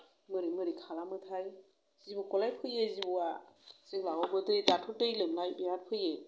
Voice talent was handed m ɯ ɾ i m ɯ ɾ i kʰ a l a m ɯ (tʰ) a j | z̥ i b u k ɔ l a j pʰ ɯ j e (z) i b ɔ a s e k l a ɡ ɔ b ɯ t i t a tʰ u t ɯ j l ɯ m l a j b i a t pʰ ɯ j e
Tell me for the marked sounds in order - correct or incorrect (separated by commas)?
correct, correct